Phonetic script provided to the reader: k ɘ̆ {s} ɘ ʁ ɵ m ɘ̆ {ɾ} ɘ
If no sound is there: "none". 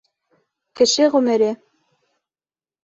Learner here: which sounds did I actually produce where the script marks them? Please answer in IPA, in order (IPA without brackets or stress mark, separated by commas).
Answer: ʃ, ɾ